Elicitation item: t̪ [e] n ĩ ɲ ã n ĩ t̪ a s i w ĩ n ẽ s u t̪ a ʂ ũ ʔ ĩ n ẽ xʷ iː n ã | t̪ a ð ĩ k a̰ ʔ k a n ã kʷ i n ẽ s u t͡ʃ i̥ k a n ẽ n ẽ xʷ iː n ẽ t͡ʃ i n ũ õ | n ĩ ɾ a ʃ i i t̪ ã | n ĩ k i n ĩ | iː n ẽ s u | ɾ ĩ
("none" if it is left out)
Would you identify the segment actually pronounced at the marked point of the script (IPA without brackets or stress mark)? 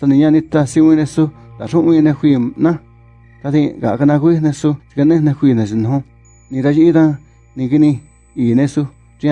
a